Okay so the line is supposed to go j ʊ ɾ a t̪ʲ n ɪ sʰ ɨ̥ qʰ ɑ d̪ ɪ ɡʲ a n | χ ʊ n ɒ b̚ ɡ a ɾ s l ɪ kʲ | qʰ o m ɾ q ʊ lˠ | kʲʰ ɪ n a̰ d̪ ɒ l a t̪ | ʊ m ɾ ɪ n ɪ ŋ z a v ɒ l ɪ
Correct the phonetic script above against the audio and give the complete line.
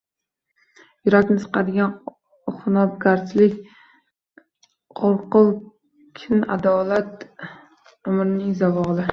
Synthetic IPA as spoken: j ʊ ɾ a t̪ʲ n ɪ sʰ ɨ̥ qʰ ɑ d̪ ɪ ɡʲ a n | χ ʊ n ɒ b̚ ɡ a ɾ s l ɪ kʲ | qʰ o ɾ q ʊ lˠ | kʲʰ ɪ n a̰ d̪ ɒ l a t̪ | ʊ m ɾ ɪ n ɪ ŋ z a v ɒ l ɪ